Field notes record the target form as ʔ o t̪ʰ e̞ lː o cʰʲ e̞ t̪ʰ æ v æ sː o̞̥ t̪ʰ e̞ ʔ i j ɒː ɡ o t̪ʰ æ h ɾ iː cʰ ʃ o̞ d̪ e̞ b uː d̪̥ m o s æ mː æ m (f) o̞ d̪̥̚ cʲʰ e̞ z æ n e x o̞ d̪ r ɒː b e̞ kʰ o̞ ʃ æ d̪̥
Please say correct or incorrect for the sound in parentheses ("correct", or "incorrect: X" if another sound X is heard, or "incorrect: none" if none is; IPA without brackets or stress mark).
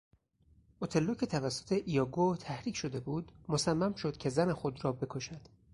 incorrect: ʃ